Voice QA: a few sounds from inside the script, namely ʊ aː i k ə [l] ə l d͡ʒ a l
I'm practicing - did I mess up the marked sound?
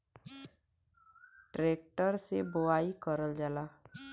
yes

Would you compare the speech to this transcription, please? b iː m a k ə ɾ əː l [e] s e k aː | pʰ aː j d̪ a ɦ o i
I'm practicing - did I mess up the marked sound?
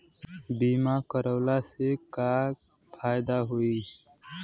yes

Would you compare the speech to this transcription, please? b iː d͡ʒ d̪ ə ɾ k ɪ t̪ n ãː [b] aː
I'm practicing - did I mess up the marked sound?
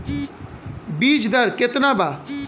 no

